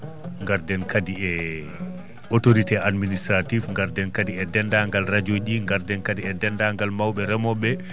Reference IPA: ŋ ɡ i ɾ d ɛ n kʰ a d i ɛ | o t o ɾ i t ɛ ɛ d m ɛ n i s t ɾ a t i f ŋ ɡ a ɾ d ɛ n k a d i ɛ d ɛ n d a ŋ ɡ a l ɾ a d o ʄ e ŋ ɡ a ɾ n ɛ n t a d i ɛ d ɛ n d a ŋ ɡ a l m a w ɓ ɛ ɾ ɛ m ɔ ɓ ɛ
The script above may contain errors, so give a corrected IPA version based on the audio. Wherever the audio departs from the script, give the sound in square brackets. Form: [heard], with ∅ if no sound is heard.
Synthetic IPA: ŋ ɡ [a] ɾ d ɛ n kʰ a d i ɛ | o t o ɾ i t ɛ [a] d m [i] n i s t ɾ a t i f ŋ ɡ a ɾ d ɛ n k a d i ɛ d ɛ n d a ŋ ɡ a l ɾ a [d͡ʒ] o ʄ [i] ŋ ɡ a ɾ [d] ɛ n [k] a d i ɛ d ɛ n d a ŋ ɡ a l m a w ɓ ɛ ɾ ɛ m ɔ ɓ ɛ

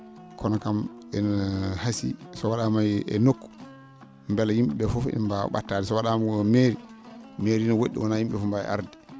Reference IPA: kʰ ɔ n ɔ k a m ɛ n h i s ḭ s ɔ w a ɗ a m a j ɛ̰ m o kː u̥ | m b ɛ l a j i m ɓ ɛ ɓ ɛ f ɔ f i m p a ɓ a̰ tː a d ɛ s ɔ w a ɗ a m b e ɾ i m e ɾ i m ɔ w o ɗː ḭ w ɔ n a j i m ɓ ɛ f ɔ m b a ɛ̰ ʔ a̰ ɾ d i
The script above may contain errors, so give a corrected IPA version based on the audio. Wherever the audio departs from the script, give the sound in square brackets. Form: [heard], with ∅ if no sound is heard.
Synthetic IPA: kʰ ɔ n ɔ k a m ɛ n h [a] s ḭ s ɔ w a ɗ a m a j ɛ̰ [n] o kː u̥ | m b ɛ l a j i m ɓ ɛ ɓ ɛ f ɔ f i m [b] a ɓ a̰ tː a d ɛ s ɔ w a ɗ a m [m] e ɾ i m e ɾ i [n] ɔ w o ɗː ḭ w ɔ n a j i m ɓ ɛ f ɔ m b a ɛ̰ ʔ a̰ ɾ d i

